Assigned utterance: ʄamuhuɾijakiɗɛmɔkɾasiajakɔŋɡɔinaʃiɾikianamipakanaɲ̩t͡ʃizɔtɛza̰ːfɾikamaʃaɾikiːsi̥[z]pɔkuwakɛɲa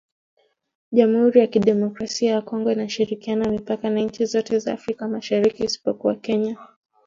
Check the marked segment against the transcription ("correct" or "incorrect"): incorrect